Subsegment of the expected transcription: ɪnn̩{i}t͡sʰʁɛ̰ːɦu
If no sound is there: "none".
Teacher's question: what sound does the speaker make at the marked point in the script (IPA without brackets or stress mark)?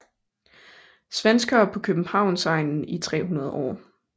i